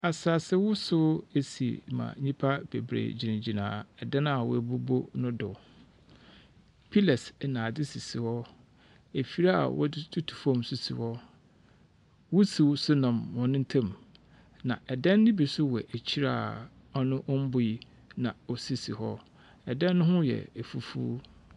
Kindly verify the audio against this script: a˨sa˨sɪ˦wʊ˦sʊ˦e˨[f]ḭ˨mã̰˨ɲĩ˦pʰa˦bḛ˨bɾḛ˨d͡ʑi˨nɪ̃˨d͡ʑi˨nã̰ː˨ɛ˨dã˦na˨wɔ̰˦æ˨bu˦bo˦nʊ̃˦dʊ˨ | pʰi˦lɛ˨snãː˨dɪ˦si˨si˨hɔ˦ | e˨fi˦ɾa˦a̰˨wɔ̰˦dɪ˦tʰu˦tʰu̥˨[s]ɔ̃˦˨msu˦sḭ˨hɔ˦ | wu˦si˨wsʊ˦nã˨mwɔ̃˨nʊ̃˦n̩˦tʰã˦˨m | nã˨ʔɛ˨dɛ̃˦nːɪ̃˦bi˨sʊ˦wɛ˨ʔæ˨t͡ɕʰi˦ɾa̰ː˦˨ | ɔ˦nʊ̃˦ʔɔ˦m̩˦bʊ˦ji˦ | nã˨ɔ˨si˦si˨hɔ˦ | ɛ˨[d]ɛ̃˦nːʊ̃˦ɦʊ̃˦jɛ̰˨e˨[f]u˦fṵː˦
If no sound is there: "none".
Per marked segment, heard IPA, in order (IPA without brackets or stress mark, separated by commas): s, f, d, f